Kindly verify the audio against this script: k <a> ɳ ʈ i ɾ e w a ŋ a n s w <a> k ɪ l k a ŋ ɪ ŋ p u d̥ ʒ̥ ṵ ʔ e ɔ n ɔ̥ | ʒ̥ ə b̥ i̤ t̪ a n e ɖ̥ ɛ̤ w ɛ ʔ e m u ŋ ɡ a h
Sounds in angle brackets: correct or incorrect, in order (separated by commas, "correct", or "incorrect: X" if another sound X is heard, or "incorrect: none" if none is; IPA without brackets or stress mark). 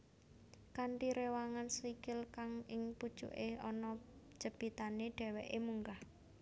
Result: correct, incorrect: i